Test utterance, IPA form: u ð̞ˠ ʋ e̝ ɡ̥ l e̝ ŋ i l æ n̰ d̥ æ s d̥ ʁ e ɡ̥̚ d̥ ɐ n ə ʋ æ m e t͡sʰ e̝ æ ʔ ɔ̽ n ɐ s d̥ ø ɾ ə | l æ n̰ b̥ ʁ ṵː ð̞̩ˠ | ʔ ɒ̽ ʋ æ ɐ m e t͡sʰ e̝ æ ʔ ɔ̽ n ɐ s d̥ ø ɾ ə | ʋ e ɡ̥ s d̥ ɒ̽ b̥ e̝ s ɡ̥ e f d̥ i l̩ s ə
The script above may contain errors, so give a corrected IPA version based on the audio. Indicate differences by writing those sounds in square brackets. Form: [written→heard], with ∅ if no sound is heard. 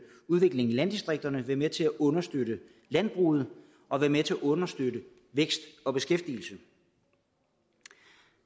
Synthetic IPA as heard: u ð̞ˠ ʋ e̝ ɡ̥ l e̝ ŋ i l æ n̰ d̥ [æ→i] s d̥ ʁ e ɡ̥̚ d̥ ɐ n ə ʋ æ m e t͡sʰ e̝ æ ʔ ɔ̽ n ɐ s d̥ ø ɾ ə | l æ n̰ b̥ ʁ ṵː ð̞̩ˠ | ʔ ɒ̽ ʋ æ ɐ m e t͡sʰ e̝ æ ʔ ɔ̽ n ɐ s d̥ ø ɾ ə | ʋ e ɡ̥ s d̥ ɒ̽ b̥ e̝ s ɡ̥ e f d̥ i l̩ s ə